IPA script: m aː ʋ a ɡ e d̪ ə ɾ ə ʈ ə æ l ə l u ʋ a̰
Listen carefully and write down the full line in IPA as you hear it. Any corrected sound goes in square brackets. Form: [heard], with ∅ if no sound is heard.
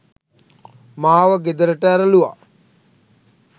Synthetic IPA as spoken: m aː ʋ [ə] ɡ e d̪ ə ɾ ə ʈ ə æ [ɾ] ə l u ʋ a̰

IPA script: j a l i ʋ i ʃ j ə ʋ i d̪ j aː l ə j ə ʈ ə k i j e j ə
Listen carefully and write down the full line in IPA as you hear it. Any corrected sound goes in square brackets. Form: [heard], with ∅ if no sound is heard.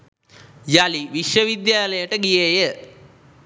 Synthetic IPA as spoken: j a l i ʋ i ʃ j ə ʋ i d̪ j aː l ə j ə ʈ ə [ɡ] i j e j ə

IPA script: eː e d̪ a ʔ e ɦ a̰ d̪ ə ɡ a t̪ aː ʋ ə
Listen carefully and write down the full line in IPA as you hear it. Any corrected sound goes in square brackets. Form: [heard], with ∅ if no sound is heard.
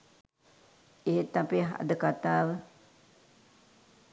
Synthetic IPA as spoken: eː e [t̪] a [p] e ɦ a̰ d̪ ə [k] a t̪ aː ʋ ə

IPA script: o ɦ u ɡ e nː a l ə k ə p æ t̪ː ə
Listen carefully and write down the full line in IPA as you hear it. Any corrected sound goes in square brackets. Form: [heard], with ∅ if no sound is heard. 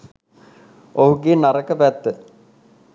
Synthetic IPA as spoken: o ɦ u ɡ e [n] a [ɾ] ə k ə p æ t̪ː ə

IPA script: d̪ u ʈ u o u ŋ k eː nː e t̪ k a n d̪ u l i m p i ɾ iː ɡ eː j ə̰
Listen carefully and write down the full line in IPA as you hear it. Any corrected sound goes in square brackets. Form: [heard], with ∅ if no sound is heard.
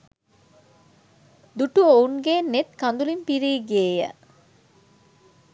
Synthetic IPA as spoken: d̪ u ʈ u o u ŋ [ɡ] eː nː e t̪ k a n d̪ u l i m p i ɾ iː ɡ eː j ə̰

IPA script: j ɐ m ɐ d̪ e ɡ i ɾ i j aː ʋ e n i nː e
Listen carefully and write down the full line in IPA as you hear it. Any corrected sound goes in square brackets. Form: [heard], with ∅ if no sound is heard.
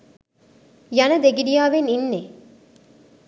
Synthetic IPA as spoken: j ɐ [n] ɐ d̪ e ɡ i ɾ i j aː ʋ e n i nː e

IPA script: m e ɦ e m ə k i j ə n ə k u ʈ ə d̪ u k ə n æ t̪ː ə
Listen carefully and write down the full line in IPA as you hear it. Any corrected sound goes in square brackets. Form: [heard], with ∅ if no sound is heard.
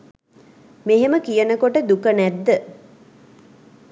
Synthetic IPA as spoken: m e ɦ e m ə k i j ə n ə k [o] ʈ ə d̪ u k ə n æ [d̪ː] ə

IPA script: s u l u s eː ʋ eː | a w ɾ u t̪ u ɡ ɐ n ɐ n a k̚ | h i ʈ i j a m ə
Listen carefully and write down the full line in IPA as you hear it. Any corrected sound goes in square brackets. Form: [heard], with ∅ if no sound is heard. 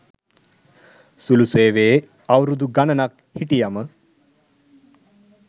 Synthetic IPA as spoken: s u l u s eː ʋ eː | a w ɾ u [d̪] u ɡ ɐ n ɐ n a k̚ | h i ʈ i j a m ə

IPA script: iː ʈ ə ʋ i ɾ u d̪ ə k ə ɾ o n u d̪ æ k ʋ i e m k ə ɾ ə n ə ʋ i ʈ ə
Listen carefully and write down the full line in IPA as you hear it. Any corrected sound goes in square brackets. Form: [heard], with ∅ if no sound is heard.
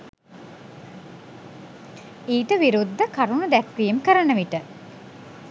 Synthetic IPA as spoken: iː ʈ ə ʋ i ɾ u [d̪ː] ə k [a] ɾ [u] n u d̪ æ k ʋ i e m k ə ɾ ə n ə ʋ i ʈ ə

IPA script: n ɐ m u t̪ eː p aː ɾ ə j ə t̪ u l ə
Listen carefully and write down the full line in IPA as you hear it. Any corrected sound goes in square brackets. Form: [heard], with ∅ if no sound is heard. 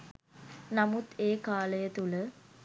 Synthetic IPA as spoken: n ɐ m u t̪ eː [k] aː [l] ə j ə t̪ u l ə

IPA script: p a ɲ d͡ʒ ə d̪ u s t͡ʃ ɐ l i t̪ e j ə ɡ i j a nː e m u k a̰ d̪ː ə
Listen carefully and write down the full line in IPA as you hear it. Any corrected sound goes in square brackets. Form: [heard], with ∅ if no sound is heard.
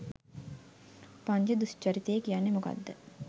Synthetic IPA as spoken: p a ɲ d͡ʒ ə d̪ u s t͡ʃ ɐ [ɾ] i t̪ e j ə [k] i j a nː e m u k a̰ d̪ː ə

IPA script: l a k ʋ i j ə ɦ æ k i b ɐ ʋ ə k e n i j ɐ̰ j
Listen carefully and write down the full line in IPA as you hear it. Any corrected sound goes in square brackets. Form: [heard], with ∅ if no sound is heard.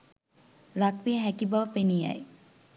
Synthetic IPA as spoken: l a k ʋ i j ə ɦ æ k i b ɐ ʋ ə [p] e n i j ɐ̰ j

